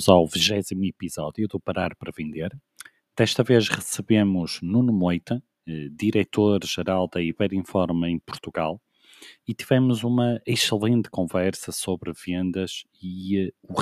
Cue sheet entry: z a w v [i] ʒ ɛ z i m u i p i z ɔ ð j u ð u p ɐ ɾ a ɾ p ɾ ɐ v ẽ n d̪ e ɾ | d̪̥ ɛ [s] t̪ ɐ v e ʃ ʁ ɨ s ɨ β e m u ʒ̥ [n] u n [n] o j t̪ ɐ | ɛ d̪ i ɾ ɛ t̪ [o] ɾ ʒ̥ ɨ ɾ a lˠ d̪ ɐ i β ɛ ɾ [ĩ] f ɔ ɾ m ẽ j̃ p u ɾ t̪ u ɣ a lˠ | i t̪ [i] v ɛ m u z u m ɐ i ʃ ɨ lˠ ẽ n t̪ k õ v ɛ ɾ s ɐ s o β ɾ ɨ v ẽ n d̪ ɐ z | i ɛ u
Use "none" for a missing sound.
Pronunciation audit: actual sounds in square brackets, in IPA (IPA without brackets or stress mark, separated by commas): i, ʃ, n, m, o, ĩ, i